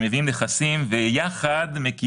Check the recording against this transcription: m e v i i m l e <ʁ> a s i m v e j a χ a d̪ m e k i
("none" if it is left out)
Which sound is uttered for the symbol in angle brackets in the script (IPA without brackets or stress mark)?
χ